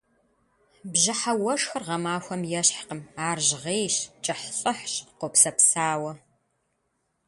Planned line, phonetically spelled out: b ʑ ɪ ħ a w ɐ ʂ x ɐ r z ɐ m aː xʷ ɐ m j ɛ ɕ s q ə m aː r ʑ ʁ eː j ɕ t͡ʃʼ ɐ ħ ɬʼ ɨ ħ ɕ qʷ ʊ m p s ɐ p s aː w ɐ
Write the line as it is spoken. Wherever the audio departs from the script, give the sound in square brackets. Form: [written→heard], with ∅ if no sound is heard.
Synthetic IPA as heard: b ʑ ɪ ħ a w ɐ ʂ x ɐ r [z→ʁ] ɐ m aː xʷ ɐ m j ɛ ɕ [s→ħ] q ə m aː r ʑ ʁ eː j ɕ t͡ʃʼ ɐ ħ ɬʼ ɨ ħ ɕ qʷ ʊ [m→∅] p s ɐ p s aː w ɐ